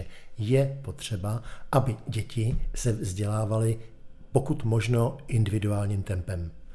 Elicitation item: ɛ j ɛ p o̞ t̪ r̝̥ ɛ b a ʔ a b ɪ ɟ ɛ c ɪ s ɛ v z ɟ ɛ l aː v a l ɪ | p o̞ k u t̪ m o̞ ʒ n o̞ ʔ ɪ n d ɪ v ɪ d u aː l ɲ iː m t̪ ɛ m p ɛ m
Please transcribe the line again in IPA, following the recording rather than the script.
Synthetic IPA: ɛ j ɛ p o̞ t̪ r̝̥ ɛ b a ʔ a b ɪ ɟ ɛ c ɪ s ɛ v z ɟ ɛ l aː v a l ɪ | p o̞ k u t̪ m o̞ ʒ n o̞ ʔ ɪ n d ɪ v ɪ d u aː l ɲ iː m t̪ ɛ m p ɛ m